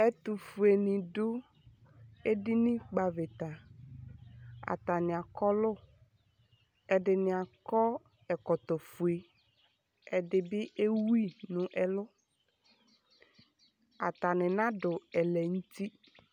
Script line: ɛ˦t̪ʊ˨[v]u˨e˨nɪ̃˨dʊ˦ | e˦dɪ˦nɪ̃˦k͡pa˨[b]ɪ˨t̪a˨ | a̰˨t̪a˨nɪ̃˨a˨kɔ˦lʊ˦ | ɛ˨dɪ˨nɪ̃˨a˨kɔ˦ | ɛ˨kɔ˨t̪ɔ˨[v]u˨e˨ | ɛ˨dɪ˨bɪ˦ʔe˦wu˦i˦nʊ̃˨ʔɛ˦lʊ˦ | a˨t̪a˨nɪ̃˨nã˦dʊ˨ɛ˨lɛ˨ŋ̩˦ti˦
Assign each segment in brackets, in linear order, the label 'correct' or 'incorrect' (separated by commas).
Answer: incorrect, incorrect, incorrect